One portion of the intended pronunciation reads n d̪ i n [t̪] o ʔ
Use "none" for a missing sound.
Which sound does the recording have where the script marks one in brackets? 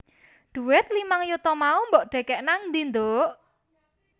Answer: d̪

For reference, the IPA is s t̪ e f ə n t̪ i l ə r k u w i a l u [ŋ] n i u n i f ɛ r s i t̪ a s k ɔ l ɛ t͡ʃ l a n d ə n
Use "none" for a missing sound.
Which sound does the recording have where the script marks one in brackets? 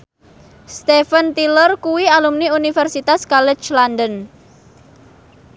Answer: m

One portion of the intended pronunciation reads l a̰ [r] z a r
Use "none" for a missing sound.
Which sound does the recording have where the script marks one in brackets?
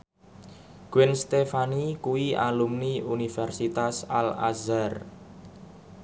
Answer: none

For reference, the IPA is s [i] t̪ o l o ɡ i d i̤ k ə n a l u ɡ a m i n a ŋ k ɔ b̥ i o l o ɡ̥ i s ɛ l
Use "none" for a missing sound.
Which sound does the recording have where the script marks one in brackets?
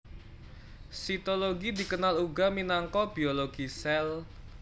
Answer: i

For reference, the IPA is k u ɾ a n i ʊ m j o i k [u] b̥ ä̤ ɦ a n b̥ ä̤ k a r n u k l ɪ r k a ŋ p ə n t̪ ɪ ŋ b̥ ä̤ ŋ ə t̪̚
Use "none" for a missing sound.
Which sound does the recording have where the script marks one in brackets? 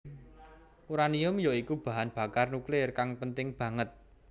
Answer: u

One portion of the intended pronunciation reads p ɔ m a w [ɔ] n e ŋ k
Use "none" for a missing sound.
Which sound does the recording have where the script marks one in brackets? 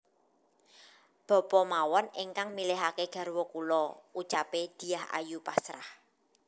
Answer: ɔ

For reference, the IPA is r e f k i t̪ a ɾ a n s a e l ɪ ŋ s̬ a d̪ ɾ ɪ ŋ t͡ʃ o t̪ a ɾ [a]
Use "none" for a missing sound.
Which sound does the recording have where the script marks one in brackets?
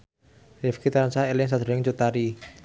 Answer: i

